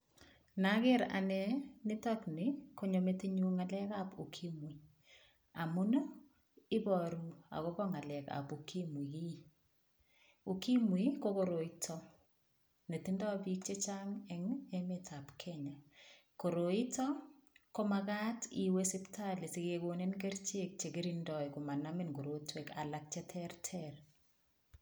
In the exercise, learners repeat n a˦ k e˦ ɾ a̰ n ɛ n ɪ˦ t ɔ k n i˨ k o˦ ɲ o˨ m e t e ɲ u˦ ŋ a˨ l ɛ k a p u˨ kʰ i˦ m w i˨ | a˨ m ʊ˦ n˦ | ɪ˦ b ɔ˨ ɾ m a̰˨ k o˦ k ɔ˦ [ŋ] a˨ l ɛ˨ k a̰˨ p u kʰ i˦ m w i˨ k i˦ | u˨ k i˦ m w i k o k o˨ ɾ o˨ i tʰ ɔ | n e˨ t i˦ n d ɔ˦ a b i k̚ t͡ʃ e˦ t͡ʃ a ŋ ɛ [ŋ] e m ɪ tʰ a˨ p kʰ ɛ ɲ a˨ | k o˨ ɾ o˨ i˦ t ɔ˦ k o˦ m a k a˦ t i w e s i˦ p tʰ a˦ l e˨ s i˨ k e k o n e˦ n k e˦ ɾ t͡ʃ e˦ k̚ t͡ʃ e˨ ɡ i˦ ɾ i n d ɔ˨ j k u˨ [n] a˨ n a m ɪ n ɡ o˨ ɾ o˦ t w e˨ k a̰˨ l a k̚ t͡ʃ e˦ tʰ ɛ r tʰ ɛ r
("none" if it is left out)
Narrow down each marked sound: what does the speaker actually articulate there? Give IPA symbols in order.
ŋ, ŋ, m

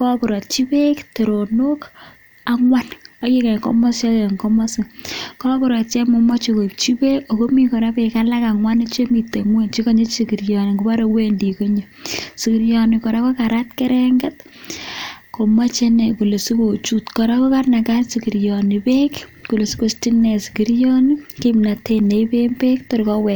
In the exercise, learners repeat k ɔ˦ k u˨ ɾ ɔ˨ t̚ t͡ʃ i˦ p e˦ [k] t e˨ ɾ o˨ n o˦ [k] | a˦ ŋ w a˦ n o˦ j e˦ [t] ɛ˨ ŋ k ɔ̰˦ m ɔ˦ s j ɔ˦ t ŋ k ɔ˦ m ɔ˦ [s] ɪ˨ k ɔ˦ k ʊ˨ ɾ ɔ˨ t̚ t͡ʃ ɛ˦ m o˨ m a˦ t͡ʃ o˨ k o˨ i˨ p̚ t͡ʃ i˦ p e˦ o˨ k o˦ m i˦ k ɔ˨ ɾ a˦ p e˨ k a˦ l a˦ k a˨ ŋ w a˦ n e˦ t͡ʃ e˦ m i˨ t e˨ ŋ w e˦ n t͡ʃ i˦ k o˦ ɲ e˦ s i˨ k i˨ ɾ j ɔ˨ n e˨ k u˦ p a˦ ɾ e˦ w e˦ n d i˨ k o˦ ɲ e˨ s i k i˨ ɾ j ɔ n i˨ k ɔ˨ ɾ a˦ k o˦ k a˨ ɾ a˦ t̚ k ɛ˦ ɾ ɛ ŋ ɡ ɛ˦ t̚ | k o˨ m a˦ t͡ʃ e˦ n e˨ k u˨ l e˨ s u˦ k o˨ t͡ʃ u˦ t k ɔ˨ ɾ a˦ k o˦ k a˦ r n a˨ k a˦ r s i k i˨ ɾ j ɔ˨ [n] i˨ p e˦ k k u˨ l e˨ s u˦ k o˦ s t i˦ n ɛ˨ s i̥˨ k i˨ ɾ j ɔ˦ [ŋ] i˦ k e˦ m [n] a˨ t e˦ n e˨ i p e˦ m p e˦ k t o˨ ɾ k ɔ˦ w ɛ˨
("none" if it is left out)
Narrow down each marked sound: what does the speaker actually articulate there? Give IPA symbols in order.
k, k, k, s, n, n, n

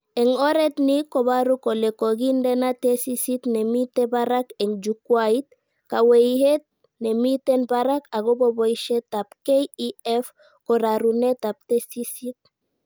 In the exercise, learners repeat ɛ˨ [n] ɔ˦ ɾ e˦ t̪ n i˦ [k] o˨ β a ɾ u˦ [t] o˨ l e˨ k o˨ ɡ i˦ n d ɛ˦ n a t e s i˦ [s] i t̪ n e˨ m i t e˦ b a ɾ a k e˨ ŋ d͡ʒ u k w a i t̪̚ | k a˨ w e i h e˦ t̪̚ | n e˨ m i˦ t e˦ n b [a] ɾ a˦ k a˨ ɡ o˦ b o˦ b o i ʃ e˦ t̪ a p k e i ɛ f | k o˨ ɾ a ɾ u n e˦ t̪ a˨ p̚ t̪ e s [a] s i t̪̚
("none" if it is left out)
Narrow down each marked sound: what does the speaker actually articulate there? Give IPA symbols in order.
ŋ, k, k, s, a, i

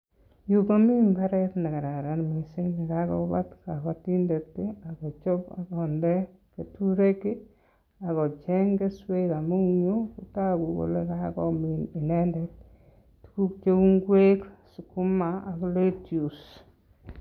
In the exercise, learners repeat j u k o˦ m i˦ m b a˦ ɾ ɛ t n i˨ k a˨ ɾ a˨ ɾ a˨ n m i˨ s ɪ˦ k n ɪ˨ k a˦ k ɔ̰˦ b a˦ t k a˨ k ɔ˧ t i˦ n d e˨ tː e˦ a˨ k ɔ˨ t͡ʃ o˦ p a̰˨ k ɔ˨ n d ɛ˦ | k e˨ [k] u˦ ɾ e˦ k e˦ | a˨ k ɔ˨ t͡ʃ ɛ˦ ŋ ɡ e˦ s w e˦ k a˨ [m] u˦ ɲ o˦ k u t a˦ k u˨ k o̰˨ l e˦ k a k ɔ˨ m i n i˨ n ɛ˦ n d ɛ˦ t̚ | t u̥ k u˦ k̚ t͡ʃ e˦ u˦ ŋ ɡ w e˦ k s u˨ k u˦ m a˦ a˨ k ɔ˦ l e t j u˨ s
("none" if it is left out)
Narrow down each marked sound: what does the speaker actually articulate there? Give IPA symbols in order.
t, m

